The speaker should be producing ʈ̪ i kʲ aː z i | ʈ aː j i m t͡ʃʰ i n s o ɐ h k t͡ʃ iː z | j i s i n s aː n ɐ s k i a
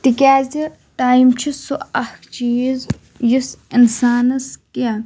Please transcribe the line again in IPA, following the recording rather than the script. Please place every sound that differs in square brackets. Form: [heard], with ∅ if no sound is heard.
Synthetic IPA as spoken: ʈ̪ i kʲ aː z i | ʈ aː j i m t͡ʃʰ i [∅] s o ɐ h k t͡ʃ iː z | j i s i n s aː n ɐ s k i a

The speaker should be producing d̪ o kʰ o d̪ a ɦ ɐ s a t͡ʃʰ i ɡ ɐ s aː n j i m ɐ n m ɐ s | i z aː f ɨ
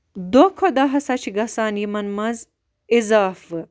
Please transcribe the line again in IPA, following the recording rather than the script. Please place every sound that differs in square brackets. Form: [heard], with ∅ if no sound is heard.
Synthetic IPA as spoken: d̪ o kʰ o d̪ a ɦ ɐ s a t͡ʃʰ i ɡ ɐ s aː n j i m ɐ n m ɐ [z] | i z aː f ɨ

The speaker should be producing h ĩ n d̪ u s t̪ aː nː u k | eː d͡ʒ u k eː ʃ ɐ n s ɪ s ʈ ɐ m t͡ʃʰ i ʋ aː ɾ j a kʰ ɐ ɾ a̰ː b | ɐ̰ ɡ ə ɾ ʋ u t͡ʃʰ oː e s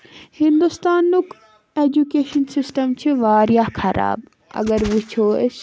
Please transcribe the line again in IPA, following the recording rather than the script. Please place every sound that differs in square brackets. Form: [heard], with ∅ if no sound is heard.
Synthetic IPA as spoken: h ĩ n d̪ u s t̪ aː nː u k | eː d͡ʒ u k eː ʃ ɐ n s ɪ s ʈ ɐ m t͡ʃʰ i ʋ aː ɾ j a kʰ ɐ ɾ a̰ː b | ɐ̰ ɡ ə ɾ ʋ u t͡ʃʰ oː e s

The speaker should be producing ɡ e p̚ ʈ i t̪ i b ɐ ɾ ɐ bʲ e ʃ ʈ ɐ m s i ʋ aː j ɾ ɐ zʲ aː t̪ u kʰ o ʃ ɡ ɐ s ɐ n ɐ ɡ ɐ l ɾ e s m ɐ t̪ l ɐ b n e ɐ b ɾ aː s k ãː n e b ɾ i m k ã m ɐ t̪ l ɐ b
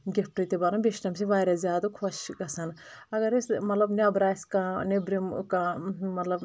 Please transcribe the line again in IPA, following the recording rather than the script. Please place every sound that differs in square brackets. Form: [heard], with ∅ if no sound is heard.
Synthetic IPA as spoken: ɡ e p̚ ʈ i t̪ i b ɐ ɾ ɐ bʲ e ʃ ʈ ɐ m s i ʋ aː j ɾ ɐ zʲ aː [d̪] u kʰ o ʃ ɡ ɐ s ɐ n ɐ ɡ ɐ [∅] ɾ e s m ɐ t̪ l ɐ b n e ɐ b ɾ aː s k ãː n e b ɾ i m k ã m ɐ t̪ l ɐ b

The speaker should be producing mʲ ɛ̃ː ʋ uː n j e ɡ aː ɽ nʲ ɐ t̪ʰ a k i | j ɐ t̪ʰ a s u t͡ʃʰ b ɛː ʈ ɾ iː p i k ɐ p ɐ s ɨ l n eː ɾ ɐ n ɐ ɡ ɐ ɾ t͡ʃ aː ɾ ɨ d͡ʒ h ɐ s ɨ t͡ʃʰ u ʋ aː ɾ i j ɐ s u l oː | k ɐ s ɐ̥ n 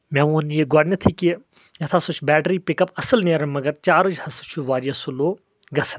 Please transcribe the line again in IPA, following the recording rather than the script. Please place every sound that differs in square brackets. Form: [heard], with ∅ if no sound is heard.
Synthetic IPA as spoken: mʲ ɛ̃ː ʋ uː n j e ɡ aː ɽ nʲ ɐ t̪ʰ [i] k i | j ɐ t̪ʰ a s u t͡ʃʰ b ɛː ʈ ɾ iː p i k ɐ p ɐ s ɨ l n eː ɾ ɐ [m] ɐ ɡ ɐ ɾ t͡ʃ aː ɾ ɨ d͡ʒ h ɐ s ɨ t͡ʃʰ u ʋ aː ɾ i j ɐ s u l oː | [ɡ] ɐ s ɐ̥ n

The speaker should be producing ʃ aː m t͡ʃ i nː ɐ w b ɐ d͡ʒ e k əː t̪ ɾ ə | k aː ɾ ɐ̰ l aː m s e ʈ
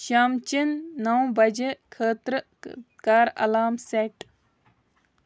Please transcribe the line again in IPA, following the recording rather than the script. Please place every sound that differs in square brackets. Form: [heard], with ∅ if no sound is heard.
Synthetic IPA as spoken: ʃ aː m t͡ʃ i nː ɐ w b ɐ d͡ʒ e [kʰ] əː t̪ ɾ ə | k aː ɾ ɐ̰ l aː m s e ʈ

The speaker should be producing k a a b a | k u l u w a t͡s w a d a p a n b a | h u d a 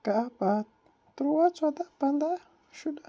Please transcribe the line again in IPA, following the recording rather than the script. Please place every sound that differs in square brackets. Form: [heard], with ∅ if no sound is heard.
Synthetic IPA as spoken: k a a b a | [t] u [ɾ] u w a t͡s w a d a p a n [d] a | [ʃ] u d a

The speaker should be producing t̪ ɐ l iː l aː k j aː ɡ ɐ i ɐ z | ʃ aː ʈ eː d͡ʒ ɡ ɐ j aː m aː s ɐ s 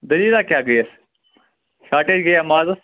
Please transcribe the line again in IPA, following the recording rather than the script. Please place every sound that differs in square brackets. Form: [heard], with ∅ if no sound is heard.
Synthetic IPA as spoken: [d̪] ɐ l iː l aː k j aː ɡ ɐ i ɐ [s] | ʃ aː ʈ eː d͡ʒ ɡ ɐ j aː m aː [z] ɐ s

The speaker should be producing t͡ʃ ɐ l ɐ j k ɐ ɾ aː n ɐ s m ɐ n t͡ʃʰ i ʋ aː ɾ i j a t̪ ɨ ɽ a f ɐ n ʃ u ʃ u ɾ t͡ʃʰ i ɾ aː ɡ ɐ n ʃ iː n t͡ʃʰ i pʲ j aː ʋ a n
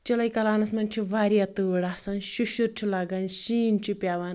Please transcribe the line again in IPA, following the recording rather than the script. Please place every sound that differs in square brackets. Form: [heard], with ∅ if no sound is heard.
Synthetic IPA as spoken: t͡ʃ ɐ l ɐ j k ɐ [l] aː n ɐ s m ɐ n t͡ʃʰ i ʋ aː ɾ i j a t̪ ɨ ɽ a [s] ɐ n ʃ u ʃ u ɾ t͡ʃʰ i [l] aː ɡ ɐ n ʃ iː n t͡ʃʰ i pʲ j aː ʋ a n

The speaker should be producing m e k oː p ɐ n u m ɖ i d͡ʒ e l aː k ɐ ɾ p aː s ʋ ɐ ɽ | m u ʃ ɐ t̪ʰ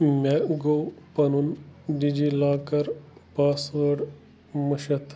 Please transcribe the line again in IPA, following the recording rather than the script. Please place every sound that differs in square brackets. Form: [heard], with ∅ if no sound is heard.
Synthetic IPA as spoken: m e [ɡ] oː p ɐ n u [n] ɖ i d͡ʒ [i] l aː k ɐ ɾ p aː s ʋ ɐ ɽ | m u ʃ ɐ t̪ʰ

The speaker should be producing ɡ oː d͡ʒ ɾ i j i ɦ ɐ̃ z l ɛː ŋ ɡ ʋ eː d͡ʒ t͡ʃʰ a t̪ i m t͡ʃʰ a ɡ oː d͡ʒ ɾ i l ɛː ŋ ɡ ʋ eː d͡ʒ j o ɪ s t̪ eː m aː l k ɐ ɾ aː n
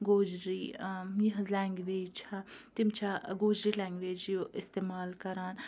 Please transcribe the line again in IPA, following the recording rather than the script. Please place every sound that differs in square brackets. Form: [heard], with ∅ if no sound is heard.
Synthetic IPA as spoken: ɡ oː d͡ʒ ɾ i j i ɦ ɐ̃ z l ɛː ŋ ɡ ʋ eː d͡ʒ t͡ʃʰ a t̪ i m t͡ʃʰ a ɡ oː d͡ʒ ɾ i l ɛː ŋ ɡ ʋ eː d͡ʒ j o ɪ s t̪ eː m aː l k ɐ ɾ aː n

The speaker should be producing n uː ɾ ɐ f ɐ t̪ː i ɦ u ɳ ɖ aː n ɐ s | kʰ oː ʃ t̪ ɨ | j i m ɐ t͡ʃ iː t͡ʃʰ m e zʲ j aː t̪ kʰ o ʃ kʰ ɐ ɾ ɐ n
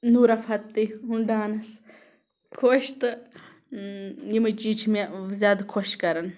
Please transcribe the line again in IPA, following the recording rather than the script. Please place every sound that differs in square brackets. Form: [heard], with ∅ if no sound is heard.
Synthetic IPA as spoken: n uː ɾ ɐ f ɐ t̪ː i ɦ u ɳ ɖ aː n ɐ s | kʰ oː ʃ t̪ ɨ | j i m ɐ t͡ʃ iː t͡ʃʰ m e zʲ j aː [d̪] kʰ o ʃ [k] ɐ ɾ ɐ n

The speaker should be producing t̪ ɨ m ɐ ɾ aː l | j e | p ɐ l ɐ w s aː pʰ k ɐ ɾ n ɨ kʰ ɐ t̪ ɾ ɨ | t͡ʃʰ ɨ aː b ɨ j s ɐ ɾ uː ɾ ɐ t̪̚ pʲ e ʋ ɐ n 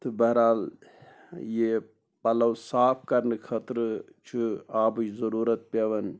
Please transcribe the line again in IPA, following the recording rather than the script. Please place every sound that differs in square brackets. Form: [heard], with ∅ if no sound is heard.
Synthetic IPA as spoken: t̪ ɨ [b] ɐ ɾ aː l | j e | p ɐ l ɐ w s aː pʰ k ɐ ɾ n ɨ kʰ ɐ t̪ ɾ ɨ | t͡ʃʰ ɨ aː b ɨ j [z] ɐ ɾ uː ɾ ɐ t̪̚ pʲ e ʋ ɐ n

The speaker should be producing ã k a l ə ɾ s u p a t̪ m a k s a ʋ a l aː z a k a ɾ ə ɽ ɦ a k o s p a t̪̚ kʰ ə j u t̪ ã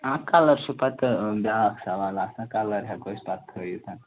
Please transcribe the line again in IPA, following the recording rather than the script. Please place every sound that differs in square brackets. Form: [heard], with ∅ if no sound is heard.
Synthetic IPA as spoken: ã k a l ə ɾ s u p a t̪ [b] a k s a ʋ a l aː [s] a k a [l] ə [ɾ] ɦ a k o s p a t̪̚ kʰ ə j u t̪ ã

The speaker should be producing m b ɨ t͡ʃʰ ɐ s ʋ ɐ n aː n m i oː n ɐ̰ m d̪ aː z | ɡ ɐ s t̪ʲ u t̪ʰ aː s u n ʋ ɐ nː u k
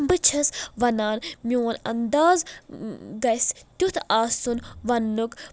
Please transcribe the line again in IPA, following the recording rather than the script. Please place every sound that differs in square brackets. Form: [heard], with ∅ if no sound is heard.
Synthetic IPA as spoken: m b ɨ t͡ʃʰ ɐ s ʋ ɐ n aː n m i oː n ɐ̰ [n] d̪ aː z | ɡ ɐ s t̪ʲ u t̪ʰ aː s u n ʋ ɐ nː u k

